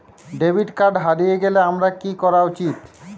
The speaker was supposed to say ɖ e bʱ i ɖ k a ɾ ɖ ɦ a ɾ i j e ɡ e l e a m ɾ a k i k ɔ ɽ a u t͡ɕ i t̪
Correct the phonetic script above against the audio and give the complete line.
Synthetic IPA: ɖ e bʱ i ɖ k a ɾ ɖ ɦ a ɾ i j e ɡ e l e a m ɾ a k i k ɔ ɾ a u t͡ɕ i t̪